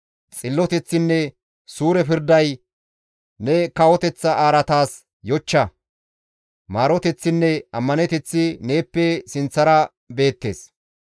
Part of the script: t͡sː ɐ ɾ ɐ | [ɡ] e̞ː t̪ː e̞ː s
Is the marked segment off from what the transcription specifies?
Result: yes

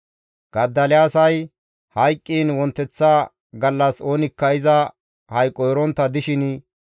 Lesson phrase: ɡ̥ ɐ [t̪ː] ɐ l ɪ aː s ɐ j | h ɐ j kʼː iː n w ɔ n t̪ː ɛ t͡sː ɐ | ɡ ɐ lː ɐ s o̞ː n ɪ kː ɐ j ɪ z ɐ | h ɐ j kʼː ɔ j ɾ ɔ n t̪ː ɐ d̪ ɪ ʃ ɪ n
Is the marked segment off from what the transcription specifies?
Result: yes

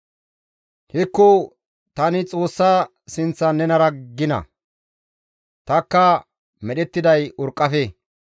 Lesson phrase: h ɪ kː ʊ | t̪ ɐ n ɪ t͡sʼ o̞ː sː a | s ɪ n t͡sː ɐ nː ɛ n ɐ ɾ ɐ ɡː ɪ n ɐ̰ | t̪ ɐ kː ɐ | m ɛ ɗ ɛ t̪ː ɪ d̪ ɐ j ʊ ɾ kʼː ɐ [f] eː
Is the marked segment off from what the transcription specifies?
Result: no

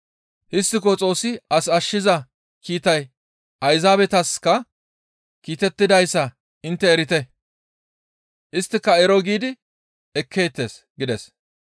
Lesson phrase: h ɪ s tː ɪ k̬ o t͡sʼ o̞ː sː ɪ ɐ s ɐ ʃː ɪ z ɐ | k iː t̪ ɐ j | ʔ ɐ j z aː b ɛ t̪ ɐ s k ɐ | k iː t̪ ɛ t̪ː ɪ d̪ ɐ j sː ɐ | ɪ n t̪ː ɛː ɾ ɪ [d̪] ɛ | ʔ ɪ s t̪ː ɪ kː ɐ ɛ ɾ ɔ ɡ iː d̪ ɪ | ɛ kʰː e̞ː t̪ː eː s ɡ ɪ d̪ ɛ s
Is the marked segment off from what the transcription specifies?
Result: yes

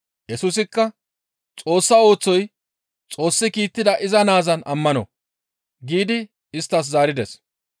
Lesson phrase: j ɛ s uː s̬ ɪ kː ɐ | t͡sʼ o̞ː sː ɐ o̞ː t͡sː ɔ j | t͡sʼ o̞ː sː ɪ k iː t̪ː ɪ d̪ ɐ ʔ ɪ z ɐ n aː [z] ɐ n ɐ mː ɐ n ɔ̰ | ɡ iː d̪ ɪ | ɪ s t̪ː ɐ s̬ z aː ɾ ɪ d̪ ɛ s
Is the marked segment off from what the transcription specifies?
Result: no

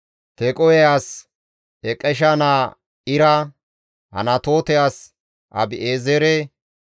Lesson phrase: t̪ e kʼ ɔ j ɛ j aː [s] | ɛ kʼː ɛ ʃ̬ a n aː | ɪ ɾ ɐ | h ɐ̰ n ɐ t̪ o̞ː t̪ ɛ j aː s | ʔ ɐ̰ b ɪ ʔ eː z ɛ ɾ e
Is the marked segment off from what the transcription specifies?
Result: no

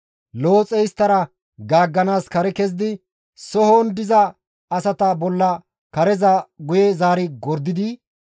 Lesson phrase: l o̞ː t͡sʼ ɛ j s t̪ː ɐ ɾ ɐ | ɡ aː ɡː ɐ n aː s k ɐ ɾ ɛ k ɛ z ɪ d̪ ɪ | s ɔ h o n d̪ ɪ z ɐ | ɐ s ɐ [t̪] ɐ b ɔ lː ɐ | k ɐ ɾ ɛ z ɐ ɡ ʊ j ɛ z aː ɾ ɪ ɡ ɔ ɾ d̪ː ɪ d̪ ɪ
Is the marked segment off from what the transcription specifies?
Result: no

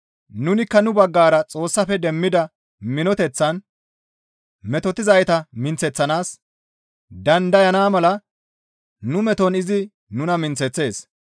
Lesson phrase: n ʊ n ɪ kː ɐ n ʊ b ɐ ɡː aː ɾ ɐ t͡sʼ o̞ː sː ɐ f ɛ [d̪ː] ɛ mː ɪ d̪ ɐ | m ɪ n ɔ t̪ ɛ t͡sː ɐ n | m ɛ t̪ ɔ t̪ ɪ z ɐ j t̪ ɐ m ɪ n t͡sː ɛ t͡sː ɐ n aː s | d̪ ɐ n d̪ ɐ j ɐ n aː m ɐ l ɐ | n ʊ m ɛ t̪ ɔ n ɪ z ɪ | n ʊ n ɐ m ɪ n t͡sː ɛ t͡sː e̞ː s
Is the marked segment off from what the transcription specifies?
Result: yes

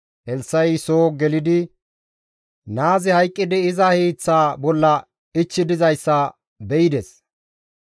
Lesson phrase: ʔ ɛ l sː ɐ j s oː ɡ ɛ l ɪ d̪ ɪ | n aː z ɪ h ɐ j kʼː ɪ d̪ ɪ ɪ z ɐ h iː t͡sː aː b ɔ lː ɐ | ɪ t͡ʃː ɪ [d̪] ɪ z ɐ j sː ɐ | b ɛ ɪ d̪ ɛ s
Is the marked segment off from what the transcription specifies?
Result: no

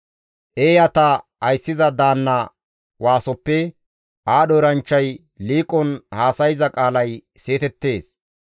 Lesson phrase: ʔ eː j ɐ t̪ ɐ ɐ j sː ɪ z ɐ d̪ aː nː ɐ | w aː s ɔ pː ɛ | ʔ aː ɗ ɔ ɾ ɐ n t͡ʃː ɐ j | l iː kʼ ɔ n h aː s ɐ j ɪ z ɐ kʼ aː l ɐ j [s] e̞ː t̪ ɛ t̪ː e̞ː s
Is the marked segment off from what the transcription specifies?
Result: no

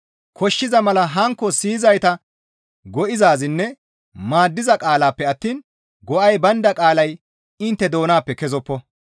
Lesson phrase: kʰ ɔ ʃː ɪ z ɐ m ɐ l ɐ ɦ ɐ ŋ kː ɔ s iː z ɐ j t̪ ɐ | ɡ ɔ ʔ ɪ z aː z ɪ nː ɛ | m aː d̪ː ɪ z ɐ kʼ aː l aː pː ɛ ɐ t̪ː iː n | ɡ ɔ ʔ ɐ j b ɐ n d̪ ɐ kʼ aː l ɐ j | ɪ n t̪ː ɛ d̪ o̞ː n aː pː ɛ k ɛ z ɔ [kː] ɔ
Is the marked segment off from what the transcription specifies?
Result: yes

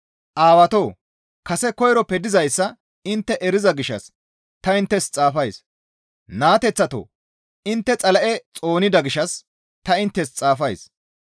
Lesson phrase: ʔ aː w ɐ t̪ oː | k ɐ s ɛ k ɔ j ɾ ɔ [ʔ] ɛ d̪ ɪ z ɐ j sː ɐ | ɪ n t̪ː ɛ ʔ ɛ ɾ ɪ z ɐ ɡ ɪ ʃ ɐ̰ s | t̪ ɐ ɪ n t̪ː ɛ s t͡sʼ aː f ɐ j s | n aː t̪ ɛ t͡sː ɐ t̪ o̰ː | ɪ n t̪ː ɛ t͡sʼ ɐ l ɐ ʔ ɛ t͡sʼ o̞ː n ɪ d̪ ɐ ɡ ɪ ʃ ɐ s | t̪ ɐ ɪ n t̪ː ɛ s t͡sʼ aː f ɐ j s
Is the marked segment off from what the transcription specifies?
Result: yes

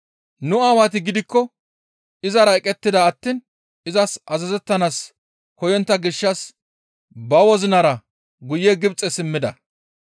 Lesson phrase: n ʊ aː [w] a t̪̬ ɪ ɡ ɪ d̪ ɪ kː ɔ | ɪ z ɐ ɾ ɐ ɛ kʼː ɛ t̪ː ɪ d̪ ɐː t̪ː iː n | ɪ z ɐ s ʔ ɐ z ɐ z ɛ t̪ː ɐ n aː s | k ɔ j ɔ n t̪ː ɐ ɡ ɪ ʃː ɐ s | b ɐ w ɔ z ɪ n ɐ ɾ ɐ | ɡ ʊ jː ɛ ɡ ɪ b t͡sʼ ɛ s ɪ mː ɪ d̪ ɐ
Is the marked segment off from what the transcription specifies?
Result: no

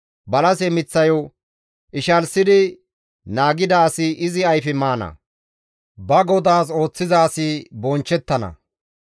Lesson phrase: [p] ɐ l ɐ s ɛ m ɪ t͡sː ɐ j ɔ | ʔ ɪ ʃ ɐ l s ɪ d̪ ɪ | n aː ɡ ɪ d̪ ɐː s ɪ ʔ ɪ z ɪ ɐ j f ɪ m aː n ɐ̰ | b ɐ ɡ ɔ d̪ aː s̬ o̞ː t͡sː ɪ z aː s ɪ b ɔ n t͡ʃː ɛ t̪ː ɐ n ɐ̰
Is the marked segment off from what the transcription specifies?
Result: yes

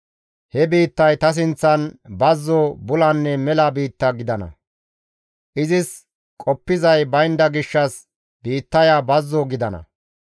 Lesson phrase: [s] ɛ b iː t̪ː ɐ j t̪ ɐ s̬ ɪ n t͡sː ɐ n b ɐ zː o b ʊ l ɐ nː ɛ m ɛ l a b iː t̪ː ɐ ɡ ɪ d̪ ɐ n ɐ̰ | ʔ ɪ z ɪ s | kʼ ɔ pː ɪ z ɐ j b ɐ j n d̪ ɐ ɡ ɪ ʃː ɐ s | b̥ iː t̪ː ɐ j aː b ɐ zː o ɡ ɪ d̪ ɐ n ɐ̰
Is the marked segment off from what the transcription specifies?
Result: yes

